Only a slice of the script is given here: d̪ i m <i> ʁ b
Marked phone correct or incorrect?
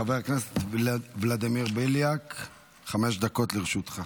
correct